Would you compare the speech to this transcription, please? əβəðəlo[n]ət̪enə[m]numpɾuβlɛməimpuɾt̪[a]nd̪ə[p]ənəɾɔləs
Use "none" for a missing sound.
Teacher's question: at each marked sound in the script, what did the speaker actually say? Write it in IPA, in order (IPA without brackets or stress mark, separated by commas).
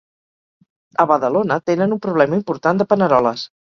n, none, a, p